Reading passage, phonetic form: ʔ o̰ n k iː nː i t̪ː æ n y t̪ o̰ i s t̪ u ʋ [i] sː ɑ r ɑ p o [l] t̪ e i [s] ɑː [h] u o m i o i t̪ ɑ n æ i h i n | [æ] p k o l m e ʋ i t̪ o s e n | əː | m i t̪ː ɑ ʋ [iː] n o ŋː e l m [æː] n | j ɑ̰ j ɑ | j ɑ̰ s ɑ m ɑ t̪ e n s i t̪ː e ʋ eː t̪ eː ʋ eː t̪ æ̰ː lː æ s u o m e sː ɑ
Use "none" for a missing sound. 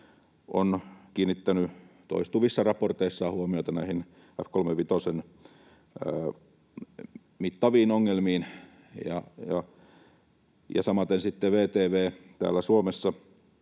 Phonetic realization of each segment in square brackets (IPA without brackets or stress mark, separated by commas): i, r, sː, h, æ, iː, iː